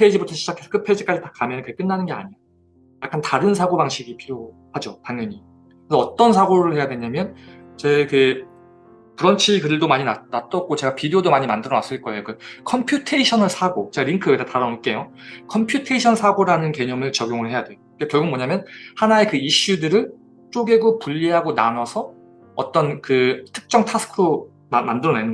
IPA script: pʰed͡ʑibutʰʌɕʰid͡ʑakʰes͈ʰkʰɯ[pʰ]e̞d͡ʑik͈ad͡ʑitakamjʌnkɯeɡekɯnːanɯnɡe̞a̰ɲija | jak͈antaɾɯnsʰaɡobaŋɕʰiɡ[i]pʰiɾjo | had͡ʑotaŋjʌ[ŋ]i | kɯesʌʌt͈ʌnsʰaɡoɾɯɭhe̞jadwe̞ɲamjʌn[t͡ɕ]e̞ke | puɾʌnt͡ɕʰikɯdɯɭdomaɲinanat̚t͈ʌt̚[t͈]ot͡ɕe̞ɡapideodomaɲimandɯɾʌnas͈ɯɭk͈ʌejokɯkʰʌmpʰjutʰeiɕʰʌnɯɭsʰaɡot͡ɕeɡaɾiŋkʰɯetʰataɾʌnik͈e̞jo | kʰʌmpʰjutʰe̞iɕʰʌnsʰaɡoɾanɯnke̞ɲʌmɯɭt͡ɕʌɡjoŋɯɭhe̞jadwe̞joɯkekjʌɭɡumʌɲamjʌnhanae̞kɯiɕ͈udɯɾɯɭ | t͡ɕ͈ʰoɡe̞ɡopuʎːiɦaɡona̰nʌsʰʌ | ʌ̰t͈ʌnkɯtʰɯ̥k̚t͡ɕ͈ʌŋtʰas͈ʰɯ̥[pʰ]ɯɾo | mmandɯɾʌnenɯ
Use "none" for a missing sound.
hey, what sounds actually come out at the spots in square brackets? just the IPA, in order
pʰ, i, ɲ, t͡ɕ, k͈, kʰ

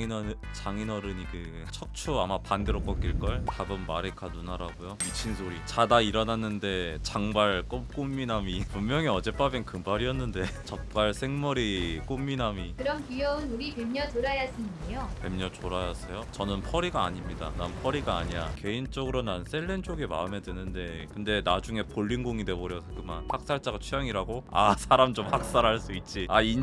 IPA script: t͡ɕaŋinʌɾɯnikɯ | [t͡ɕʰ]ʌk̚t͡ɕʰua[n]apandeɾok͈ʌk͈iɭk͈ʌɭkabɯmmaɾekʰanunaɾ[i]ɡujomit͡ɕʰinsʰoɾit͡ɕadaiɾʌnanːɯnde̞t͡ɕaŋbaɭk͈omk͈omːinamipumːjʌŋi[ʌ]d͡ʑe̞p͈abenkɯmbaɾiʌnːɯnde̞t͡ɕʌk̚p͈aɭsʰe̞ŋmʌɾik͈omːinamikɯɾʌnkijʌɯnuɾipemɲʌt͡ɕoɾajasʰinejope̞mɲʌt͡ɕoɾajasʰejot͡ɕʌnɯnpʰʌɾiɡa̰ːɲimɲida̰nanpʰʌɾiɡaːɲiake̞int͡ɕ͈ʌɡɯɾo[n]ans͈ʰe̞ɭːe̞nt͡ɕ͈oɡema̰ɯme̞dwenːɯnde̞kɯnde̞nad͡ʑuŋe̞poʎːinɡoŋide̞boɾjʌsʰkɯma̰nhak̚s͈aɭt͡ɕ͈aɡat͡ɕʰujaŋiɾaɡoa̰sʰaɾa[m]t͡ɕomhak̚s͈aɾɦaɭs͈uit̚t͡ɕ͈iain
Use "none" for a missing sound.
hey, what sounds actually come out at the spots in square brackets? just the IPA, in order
t͡ɕʰ, m, a, ʌ, n, m

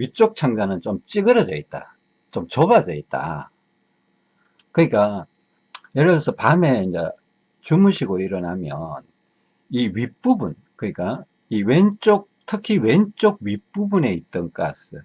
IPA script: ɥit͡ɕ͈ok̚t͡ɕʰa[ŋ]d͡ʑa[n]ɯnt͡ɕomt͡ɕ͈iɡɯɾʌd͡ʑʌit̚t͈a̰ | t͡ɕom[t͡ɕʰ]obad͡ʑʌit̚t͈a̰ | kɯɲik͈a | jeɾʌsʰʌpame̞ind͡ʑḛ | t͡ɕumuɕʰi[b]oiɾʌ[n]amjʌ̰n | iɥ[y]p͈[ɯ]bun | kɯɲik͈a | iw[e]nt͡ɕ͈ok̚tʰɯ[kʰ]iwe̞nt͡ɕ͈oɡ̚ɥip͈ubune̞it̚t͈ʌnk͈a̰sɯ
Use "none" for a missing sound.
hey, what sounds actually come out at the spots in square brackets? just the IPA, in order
ŋ, n, t͡ɕ, ɡ, n, i, u, e, kʰ

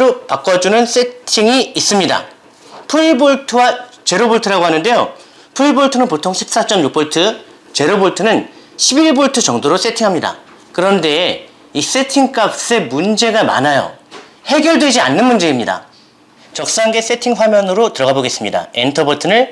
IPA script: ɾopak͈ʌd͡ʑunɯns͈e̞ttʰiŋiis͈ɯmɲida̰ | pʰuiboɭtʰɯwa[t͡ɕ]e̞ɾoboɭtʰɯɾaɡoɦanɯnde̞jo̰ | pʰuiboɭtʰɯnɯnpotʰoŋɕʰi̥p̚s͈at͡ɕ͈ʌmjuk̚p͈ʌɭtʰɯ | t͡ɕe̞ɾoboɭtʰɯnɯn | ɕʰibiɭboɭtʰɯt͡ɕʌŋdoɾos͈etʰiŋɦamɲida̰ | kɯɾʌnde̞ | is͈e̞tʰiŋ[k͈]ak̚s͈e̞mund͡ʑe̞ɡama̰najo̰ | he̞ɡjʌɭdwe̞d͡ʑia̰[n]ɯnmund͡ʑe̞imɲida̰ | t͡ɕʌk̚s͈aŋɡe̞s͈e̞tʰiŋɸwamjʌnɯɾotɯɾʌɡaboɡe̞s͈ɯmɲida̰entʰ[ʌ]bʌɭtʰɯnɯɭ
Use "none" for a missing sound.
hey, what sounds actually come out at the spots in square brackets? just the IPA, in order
t͡ɕ, k͈, nː, ʌ

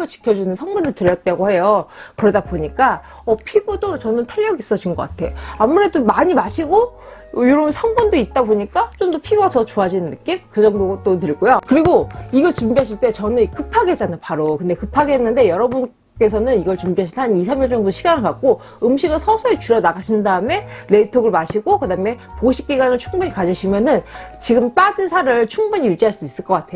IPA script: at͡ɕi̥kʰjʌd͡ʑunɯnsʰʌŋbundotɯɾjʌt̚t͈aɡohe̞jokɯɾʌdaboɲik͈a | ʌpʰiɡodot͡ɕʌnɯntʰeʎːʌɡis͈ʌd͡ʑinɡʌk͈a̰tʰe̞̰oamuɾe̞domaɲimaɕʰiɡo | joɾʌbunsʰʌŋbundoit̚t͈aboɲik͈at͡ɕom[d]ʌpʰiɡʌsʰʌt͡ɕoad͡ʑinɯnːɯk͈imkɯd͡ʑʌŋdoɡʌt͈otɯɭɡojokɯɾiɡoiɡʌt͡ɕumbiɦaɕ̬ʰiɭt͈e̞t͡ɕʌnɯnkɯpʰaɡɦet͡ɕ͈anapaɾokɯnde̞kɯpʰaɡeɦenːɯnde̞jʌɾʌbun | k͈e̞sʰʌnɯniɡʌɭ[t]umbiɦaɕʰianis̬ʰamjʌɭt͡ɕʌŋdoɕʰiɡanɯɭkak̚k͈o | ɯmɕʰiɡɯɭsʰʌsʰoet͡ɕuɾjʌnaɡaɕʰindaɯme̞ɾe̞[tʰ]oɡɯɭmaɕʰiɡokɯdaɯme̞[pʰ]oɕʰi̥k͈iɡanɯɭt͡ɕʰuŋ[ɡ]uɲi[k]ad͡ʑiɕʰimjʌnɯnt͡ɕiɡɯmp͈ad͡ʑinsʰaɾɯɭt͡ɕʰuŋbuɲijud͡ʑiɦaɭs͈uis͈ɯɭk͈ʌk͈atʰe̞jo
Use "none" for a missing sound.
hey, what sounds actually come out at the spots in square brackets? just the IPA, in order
d, t͡ɕ, tʰ, p, b, k

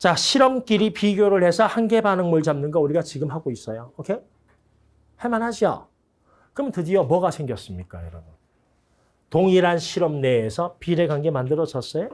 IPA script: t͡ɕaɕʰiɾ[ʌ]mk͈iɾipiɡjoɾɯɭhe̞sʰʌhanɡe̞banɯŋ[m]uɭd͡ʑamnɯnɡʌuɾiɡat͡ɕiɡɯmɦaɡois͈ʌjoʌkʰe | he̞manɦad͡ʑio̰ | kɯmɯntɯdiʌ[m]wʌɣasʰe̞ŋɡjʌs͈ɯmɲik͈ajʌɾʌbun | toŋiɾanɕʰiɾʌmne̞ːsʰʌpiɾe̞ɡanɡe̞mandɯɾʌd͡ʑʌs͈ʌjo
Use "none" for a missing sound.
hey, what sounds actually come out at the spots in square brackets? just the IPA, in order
ʌ, m, m

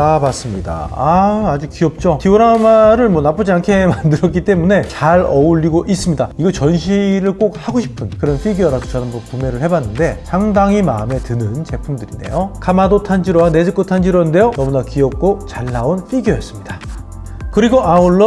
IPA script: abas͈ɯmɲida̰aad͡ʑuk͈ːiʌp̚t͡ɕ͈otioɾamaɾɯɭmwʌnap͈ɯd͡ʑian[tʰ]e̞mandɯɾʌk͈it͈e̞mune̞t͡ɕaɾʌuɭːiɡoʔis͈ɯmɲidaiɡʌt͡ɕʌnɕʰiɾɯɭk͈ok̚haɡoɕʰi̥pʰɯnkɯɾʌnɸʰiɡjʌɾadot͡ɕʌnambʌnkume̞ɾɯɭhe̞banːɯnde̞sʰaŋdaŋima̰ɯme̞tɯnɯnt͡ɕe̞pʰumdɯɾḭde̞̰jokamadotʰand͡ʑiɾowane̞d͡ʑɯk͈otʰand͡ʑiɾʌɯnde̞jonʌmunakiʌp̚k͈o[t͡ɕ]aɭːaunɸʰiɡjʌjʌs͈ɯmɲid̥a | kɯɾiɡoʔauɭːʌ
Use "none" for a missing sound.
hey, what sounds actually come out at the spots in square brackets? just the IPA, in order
kʰ, t͡ɕ

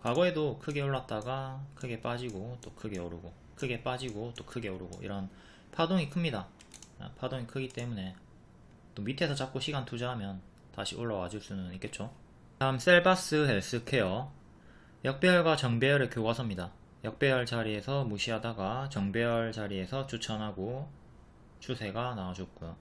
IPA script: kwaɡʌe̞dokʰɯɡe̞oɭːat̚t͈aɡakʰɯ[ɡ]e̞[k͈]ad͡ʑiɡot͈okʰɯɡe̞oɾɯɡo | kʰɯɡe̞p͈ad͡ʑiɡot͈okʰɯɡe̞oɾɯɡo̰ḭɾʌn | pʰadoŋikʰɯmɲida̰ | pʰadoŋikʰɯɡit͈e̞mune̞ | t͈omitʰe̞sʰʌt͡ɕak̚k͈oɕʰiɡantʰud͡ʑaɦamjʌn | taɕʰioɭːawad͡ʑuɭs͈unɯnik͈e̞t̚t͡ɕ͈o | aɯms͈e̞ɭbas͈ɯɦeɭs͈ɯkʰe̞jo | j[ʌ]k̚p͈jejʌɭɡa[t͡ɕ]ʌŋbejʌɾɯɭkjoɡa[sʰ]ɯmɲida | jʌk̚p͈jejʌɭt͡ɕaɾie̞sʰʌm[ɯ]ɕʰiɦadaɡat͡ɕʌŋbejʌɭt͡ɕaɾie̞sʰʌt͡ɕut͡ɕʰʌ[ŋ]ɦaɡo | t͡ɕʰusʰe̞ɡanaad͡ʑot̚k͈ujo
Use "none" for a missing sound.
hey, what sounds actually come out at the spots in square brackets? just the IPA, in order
ɡ, p͈, ʌ, t͡ɕ, sʰ, u, n

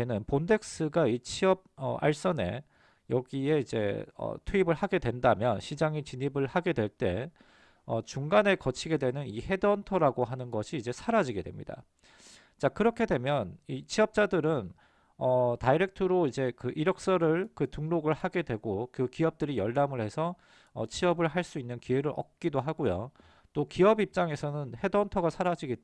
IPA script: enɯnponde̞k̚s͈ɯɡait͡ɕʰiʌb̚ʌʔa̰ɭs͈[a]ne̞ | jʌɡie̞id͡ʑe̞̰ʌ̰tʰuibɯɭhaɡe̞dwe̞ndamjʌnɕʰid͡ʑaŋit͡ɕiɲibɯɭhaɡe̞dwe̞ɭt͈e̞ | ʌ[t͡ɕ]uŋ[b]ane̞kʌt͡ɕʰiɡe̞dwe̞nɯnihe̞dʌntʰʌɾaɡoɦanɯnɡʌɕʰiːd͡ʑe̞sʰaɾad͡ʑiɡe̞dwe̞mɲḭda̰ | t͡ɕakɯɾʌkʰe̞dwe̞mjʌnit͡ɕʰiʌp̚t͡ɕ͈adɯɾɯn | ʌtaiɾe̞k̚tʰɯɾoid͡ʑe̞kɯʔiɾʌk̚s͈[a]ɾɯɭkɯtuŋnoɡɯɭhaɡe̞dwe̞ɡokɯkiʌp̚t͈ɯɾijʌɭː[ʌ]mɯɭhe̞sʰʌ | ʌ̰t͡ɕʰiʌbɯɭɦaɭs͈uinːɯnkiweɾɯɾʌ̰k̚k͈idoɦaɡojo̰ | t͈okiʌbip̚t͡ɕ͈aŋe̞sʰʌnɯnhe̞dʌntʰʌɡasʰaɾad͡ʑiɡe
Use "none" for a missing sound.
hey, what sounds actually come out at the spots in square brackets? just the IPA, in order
ʌ, t͡ɕ, ɡ, ʌ, a

